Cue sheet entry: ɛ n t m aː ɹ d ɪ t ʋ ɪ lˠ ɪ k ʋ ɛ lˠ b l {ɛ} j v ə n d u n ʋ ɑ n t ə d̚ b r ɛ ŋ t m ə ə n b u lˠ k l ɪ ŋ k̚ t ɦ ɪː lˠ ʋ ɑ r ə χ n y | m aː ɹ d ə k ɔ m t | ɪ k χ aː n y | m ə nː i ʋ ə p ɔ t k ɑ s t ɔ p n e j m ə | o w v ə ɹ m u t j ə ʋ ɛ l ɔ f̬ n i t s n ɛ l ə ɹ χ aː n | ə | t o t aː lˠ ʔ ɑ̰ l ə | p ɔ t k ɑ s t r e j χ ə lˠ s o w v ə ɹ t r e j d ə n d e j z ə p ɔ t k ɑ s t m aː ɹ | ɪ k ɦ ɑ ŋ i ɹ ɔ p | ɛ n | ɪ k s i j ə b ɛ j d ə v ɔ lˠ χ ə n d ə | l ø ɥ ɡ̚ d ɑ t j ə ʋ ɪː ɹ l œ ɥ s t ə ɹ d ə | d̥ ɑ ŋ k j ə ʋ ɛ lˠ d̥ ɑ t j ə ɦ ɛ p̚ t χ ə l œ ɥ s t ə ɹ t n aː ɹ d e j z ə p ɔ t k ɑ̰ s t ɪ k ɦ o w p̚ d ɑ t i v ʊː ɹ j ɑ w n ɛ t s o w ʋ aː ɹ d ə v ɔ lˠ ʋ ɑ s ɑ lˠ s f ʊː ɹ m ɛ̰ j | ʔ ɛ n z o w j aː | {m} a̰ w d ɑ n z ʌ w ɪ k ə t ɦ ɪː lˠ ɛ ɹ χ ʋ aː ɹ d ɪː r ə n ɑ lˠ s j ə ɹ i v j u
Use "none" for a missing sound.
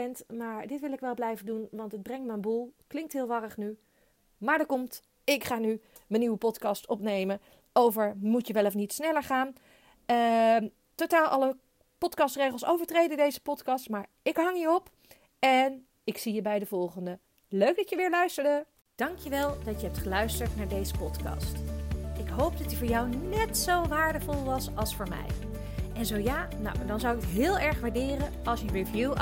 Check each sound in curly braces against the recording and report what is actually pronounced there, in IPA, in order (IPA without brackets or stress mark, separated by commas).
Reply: ɛ, n